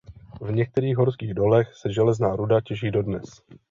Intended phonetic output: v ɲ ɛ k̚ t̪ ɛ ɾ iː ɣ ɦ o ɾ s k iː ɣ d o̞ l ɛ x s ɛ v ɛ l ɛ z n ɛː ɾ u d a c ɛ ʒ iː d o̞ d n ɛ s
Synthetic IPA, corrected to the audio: v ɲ ɛ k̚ t̪ ɛ ɾ iː ɣ ɦ o ɾ s k iː ɣ d o̞ l ɛ x s ɛ ʒ ɛ l ɛ z n aː ɾ u d a c ɛ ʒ iː d o̞ d n ɛ s